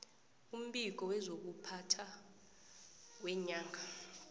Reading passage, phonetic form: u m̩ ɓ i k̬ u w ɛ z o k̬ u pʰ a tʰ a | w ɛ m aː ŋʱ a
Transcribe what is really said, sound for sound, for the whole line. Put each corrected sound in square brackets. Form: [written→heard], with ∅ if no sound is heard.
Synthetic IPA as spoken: u m̩ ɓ i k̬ [u→ɔ] w ɛ z o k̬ u pʰ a tʰ a | w ɛ [m→ɲ] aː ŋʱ a